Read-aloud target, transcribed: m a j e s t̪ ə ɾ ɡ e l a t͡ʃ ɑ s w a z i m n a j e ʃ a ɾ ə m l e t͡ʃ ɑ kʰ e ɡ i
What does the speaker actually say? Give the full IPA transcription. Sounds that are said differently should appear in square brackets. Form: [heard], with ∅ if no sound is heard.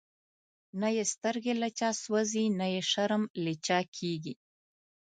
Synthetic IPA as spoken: [n] a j e s t̪ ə ɾ ɡ e l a t͡ʃ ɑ s w a z i [∅] n a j e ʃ a ɾ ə m l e t͡ʃ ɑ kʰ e ɡ i